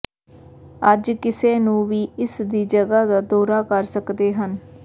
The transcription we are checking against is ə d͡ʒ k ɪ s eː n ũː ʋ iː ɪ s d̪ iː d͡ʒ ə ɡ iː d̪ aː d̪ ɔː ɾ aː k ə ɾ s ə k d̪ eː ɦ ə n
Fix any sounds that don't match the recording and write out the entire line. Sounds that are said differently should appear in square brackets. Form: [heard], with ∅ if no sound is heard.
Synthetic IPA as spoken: ə d͡ʒ k ɪ s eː n ũː ʋ iː ɪ s d̪ iː d͡ʒ ə ɡ [aː] d̪ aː d̪ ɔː ɾ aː k ə ɾ s ə k d̪ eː ɦ ə n

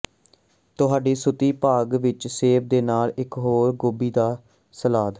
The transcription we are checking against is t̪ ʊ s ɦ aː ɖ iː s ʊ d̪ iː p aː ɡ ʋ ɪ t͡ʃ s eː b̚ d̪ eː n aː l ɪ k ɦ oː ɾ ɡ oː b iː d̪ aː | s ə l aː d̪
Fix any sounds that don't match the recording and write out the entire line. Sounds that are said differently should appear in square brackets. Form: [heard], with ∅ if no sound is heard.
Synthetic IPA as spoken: t̪ ʊ [∅] ɦ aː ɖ iː s ʊ [t̪] iː p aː ɡ ʋ ɪ t͡ʃ s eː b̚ d̪ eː n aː l ɪ k ɦ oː ɾ ɡ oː b iː d̪ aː | s ə l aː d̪

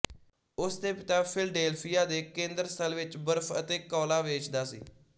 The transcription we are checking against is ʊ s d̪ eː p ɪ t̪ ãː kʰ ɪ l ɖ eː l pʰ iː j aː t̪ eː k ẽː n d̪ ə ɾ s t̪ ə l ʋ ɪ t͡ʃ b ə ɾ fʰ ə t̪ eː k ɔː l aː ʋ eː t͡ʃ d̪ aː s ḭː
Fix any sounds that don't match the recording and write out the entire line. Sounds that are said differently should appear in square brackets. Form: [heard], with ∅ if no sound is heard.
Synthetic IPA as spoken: ʊ s d̪ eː p ɪ t̪ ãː [pʰ] ɪ l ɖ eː l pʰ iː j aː [d̪] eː k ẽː n d̪ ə ɾ s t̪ ə l ʋ ɪ t͡ʃ b ə ɾ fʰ ə t̪ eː k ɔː l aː ʋ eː t͡ʃ d̪ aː s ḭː

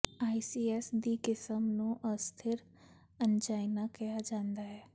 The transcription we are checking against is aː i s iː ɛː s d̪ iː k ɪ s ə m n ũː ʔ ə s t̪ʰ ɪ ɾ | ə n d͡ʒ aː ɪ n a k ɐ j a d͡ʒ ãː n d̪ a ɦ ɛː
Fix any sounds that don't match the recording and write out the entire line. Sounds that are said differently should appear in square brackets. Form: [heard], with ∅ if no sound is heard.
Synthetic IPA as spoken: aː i s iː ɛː s d̪ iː k ɪ s ə m n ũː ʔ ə s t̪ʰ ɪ ɾ | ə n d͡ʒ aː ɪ n a k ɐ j a d͡ʒ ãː n d̪ a ɦ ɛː

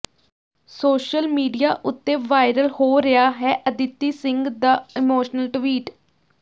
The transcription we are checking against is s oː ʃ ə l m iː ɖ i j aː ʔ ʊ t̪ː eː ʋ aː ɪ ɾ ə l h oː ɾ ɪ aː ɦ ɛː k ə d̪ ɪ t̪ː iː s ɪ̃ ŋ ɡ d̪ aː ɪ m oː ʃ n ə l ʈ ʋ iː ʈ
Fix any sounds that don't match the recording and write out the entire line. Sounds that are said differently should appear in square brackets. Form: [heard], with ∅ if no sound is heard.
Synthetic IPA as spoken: s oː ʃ ə l m iː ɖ i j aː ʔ ʊ t̪ː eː ʋ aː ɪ ɾ ə l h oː ɾ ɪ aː ɦ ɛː [ʔ] ə d̪ ɪ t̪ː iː s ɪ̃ ŋ ɡ d̪ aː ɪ m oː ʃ n ə l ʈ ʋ iː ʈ

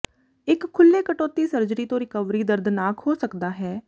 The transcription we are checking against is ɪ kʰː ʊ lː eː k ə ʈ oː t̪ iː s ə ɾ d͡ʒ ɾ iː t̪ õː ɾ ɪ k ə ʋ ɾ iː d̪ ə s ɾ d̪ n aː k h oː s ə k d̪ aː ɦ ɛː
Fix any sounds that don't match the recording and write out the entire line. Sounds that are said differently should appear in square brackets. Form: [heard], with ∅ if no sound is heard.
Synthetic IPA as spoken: ɪ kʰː ʊ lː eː k ə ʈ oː t̪ iː s ə ɾ d͡ʒ ɾ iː t̪ õː ɾ ɪ k ə ʋ ɾ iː d̪ ə [∅] ɾ d̪ n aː k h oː s ə k d̪ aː ɦ ɛː

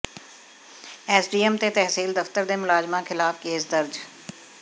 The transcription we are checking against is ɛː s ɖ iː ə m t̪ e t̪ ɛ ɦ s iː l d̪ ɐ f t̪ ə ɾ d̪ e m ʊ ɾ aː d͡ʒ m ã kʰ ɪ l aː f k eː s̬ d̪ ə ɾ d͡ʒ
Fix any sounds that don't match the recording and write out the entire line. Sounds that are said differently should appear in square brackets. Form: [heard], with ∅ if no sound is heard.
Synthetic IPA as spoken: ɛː s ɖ iː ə m t̪ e t̪ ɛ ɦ s iː l d̪ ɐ f t̪ ə ɾ d̪ e m ʊ [l] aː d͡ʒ m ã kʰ ɪ l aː f k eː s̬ d̪ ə ɾ d͡ʒ

